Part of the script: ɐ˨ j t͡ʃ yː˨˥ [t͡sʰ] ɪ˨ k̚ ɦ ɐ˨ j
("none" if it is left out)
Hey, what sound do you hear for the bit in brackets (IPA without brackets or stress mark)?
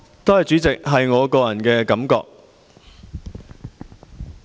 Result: t͡s